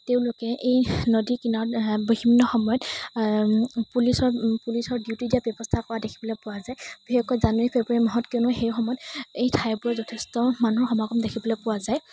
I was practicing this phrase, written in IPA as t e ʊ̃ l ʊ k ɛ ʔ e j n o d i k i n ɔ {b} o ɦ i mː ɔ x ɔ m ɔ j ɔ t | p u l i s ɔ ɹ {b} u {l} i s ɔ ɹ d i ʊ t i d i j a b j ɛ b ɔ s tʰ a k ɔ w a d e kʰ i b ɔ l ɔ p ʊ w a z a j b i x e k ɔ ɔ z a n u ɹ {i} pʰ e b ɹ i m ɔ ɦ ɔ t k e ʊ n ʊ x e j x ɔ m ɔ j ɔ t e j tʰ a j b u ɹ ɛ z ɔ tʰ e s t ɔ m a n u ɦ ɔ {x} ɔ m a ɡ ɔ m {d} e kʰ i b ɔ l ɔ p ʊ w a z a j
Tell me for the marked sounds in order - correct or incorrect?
correct, incorrect, correct, correct, correct, correct

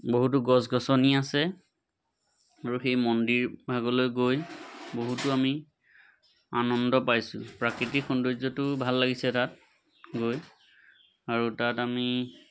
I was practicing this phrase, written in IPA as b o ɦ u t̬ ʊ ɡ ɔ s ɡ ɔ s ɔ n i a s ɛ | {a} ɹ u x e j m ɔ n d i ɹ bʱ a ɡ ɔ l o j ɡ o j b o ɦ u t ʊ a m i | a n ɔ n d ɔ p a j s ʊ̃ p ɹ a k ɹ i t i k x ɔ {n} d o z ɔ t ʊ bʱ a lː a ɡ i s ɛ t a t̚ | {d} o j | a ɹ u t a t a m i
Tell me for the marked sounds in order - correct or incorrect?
correct, correct, incorrect

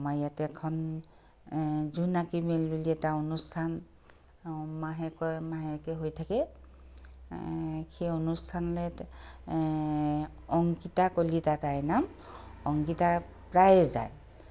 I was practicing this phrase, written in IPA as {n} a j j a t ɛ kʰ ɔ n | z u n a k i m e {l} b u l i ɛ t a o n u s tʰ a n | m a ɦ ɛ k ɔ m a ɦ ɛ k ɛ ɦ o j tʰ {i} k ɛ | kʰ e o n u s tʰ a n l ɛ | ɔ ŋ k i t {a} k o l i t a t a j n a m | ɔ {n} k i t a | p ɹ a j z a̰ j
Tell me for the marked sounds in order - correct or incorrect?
incorrect, correct, incorrect, correct, incorrect

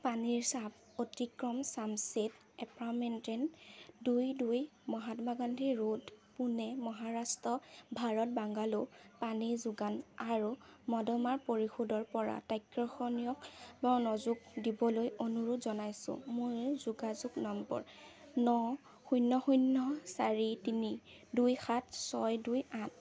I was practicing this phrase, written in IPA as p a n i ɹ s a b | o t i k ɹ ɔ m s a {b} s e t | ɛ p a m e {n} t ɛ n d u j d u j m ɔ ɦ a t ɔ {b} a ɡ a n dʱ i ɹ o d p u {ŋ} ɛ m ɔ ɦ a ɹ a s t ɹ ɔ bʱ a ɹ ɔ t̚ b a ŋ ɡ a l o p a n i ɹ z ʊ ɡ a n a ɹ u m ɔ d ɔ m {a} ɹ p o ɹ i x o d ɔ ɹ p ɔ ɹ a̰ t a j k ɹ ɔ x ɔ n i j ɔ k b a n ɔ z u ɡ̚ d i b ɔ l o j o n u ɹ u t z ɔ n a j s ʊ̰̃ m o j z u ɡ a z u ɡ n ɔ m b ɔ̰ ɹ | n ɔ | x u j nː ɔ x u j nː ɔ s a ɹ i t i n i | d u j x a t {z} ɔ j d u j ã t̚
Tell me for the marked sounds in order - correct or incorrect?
incorrect, correct, incorrect, incorrect, correct, incorrect

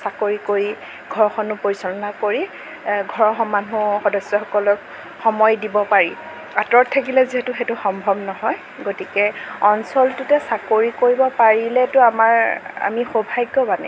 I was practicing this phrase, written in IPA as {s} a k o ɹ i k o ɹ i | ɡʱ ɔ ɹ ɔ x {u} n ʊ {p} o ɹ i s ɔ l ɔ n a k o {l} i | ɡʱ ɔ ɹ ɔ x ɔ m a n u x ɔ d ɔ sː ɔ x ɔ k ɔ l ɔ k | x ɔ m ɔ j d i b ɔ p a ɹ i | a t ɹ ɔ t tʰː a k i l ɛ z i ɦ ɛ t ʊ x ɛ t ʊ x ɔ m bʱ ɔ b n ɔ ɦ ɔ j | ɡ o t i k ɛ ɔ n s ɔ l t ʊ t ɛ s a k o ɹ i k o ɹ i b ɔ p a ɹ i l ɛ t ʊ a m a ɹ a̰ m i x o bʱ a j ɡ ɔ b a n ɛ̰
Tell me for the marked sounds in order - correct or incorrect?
correct, incorrect, correct, incorrect

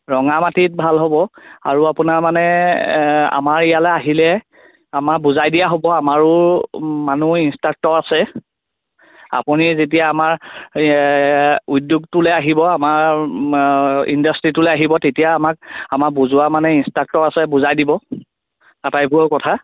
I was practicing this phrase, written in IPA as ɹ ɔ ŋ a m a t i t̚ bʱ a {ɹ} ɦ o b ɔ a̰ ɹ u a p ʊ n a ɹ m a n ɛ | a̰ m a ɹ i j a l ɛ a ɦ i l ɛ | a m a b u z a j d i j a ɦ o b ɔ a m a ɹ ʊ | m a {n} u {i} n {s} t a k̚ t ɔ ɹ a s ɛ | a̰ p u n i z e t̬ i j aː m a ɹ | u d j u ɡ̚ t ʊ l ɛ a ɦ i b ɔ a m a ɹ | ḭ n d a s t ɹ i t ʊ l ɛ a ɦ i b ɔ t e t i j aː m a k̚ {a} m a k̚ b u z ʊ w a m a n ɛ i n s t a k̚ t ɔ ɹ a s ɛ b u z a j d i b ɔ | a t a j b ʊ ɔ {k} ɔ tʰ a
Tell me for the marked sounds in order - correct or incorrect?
incorrect, correct, correct, correct, correct, correct

